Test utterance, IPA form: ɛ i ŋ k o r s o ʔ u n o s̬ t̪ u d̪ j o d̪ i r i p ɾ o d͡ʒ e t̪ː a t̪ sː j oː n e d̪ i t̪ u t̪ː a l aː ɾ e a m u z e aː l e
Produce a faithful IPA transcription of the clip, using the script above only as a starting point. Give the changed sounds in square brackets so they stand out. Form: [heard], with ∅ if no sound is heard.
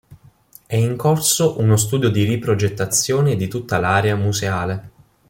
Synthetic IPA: ɛ i ŋ k o r s o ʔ u n o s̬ t̪ [uː] d̪ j o d̪ i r i p ɾ o d͡ʒ e t̪ː a t̪ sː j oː n e d̪ i t̪ u t̪ː a l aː ɾ e a m u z e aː l e